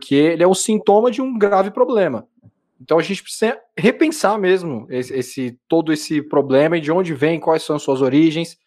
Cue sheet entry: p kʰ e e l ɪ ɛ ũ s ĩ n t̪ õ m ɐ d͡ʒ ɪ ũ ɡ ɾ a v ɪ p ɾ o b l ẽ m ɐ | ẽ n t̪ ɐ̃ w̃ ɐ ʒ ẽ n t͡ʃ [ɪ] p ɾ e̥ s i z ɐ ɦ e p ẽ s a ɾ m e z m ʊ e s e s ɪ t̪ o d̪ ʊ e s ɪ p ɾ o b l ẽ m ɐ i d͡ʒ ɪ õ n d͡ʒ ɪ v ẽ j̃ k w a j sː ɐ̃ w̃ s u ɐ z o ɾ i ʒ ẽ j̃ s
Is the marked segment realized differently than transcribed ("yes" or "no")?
no